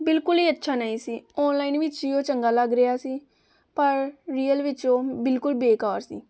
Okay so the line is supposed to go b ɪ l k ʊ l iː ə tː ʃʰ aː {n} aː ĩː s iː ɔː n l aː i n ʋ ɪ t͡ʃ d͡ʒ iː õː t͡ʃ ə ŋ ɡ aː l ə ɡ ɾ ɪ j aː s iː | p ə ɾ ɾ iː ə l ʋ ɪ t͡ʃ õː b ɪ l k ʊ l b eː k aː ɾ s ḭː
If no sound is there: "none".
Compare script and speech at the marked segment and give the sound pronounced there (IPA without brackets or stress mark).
n